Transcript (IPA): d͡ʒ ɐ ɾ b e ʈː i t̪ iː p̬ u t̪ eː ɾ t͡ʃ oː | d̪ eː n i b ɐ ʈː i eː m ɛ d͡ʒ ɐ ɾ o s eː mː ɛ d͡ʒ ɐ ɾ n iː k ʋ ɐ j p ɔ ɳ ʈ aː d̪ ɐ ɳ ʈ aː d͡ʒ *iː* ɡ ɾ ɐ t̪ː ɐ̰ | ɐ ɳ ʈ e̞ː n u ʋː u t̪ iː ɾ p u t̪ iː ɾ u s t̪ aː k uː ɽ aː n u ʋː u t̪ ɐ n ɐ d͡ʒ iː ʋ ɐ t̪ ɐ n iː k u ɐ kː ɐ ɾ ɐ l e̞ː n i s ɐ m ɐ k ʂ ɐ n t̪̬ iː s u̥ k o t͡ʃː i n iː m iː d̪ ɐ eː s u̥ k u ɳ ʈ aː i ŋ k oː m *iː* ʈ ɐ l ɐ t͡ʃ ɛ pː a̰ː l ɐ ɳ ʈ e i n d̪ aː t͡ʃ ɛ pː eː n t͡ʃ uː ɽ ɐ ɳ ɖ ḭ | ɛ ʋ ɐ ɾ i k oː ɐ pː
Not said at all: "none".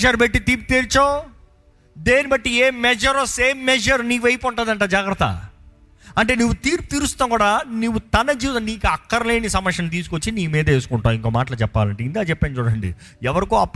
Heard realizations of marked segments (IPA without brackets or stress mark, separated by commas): aː, aː